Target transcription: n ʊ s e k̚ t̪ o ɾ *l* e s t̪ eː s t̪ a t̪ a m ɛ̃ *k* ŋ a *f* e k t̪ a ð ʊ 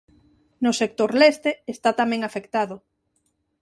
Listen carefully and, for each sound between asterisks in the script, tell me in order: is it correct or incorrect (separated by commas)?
correct, incorrect, correct